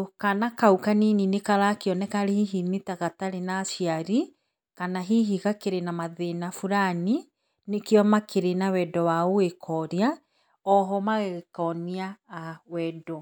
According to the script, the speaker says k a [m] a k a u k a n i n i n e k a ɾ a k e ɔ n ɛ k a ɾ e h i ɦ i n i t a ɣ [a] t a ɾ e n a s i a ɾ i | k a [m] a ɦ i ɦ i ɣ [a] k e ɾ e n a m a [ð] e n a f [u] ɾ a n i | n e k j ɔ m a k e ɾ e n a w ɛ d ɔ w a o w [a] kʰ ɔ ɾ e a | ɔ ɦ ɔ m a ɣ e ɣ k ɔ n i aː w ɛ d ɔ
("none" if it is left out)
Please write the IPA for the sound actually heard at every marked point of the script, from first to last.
n, a, n, a, ð, u, e

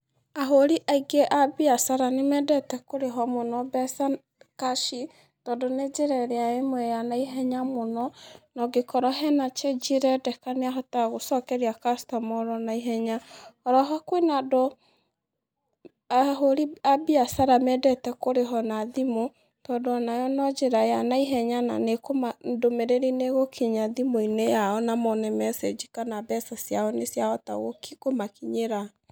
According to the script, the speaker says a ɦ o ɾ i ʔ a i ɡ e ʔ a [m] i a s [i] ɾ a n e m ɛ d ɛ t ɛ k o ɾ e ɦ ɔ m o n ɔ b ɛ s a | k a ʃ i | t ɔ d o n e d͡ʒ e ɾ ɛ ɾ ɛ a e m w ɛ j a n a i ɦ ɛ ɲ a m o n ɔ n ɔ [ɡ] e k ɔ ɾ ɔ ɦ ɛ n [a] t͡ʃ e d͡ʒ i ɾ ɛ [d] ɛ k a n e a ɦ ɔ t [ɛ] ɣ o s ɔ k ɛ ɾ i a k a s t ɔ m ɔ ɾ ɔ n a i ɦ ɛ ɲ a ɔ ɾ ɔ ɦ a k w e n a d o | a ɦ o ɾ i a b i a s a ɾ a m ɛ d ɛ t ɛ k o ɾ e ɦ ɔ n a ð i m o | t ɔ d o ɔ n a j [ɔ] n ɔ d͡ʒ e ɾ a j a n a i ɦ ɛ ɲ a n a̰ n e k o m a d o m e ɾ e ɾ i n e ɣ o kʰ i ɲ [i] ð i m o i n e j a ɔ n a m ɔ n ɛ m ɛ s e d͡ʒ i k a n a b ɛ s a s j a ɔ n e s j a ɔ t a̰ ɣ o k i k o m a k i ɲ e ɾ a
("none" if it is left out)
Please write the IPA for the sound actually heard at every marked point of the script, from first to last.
b, a, ɡ, a, d, a, ɔ, a

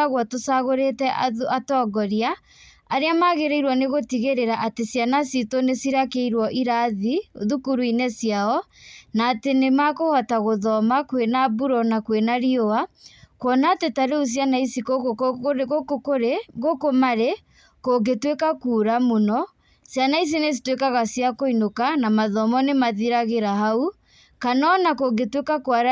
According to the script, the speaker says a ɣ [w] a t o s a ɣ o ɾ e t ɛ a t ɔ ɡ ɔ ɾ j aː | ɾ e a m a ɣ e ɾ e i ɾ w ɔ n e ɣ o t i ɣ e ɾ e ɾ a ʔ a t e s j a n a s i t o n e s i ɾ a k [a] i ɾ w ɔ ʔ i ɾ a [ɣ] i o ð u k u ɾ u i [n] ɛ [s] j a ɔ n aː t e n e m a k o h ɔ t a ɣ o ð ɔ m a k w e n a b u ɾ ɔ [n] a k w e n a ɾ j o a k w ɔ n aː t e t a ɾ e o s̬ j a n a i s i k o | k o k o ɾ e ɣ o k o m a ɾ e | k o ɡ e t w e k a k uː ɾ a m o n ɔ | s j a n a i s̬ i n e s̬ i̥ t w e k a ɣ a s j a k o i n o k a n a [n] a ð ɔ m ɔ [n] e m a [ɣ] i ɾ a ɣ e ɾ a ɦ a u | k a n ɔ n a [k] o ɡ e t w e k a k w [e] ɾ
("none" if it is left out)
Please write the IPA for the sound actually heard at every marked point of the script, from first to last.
w, e, ð, n, s, n, m, n, ð, k, a

